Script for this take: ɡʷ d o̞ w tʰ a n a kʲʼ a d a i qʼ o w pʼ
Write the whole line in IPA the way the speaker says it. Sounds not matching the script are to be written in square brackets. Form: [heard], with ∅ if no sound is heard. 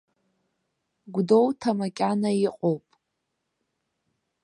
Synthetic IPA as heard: ɡʷ d o̞ w tʰ a [m] a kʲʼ a [n] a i qʼ o w pʼ